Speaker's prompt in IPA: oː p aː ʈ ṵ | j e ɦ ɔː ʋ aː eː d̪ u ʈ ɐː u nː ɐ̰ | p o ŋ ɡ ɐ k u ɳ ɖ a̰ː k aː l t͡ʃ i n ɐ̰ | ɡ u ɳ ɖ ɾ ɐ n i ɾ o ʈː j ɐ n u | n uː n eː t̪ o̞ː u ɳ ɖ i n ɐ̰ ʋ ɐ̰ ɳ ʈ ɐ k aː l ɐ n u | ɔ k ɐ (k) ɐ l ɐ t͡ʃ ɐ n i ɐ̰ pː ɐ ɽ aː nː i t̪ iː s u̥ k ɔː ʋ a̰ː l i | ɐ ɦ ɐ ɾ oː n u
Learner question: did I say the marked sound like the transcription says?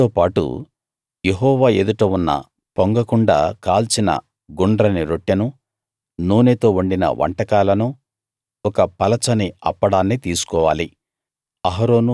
no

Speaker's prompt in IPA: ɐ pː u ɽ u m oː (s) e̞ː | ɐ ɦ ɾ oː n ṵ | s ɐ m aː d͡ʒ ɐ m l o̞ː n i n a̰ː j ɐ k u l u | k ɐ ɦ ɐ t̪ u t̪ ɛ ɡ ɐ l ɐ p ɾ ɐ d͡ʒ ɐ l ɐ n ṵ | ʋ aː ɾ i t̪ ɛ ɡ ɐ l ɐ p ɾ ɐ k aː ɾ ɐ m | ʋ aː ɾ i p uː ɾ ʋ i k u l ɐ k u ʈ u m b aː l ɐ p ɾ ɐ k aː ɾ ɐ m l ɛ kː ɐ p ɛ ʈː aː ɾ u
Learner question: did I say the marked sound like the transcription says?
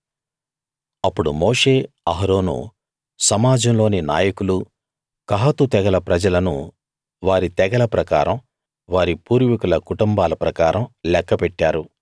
no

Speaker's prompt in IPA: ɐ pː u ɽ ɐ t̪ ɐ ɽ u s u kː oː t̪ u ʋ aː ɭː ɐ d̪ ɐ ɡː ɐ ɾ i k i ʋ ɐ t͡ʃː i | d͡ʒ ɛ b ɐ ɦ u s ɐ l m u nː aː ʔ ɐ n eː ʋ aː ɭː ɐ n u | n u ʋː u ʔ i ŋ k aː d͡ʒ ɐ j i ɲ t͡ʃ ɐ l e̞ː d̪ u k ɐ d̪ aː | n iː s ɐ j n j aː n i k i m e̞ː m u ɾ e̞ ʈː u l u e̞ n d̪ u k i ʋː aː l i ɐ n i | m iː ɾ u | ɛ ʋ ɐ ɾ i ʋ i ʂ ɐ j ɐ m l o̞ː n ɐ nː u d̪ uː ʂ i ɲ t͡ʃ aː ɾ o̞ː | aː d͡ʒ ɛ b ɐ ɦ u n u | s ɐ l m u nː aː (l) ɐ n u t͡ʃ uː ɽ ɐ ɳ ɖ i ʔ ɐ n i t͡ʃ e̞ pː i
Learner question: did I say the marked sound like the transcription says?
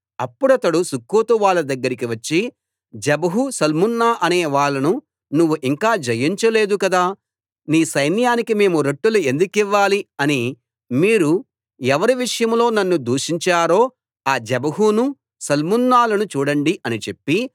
yes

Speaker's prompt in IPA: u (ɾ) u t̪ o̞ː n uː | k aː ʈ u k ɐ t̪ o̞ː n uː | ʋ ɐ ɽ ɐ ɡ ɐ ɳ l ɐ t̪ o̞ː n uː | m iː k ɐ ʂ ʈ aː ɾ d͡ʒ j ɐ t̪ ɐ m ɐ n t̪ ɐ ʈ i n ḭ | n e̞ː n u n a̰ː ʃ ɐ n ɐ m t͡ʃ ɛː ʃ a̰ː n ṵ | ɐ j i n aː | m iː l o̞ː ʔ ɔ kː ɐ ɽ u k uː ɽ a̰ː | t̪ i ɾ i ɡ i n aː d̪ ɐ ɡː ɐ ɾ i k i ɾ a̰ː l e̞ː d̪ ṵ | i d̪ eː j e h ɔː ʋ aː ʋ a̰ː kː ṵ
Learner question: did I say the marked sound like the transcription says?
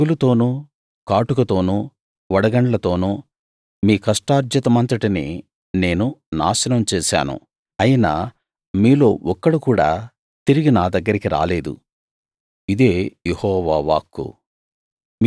no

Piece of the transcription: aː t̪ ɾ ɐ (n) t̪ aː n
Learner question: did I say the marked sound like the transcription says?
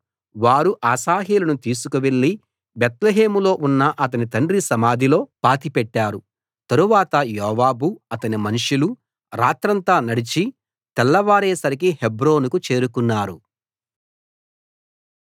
yes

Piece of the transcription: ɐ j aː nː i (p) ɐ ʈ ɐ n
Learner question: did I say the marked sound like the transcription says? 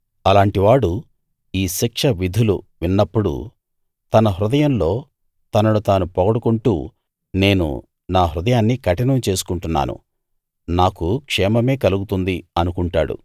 no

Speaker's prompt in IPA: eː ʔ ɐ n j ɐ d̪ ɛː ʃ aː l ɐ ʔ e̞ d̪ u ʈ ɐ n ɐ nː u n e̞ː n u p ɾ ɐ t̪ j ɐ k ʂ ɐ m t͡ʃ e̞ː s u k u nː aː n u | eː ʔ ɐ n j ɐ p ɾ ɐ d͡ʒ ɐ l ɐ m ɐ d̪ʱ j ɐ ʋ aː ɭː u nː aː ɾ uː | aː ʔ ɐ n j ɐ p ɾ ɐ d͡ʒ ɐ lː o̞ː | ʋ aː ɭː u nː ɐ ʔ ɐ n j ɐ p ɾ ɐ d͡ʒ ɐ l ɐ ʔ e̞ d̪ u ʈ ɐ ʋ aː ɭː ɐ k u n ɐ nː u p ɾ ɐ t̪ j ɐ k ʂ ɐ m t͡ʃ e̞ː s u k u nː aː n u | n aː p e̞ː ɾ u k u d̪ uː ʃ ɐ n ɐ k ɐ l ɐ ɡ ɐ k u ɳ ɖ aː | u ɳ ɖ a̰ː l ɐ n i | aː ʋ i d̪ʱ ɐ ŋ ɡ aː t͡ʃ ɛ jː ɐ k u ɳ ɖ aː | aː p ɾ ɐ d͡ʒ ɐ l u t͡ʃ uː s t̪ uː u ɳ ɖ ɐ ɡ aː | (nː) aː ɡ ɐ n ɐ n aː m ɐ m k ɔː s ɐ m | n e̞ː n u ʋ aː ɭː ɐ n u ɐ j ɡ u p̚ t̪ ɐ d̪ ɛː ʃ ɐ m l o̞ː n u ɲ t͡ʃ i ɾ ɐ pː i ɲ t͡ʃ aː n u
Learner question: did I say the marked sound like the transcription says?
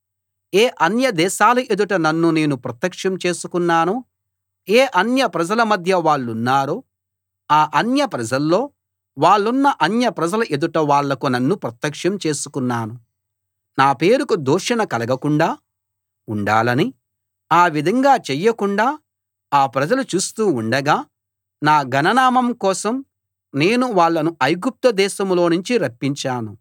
no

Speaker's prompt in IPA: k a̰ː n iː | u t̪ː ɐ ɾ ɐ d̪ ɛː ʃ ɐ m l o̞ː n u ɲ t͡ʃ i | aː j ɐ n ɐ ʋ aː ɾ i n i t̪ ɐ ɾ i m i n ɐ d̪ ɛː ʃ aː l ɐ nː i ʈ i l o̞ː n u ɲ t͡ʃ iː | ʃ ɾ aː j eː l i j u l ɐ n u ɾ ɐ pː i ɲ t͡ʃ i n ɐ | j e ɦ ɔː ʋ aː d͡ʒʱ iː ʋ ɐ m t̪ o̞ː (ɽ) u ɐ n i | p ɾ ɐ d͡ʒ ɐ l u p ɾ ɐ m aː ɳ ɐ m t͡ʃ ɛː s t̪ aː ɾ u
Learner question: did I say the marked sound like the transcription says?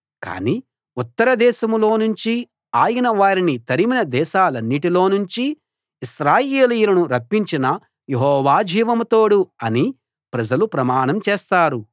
yes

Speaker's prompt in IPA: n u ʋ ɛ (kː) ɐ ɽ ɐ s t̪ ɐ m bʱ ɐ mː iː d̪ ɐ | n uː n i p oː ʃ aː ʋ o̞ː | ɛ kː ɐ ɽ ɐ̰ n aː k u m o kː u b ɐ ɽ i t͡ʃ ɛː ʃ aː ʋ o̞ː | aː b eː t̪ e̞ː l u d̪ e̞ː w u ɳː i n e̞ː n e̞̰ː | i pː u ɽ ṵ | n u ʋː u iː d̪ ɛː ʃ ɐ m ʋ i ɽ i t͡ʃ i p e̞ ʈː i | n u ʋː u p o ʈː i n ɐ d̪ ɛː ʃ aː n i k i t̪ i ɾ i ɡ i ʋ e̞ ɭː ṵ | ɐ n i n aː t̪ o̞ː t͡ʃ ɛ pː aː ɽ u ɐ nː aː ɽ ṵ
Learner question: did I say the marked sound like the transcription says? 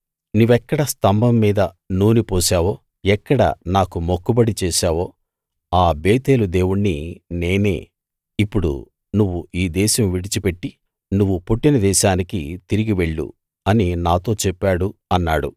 yes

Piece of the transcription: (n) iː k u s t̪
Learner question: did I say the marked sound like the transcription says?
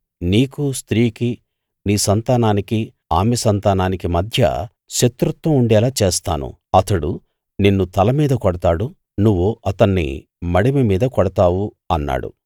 yes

